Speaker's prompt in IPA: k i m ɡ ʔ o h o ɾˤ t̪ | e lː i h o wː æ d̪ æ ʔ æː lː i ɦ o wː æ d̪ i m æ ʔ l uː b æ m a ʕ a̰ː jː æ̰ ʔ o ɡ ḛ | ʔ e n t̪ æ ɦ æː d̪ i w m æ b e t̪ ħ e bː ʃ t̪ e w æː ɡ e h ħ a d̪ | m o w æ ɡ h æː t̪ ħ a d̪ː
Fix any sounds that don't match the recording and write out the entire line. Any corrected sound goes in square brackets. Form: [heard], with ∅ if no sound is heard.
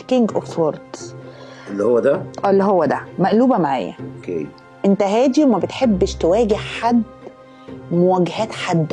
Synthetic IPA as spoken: k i [ŋ] ɡ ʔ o [f] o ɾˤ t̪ | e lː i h o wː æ d̪ æ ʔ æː lː i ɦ o wː æ d̪ [æ] m æ ʔ l uː b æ m a ʕ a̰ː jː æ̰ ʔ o [k] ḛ | ʔ e n t̪ æ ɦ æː d̪ i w m æ b e t̪ ħ e bː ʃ t̪ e w æː ɡ e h ħ a d̪ | m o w æ ɡ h æː t̪ ħ a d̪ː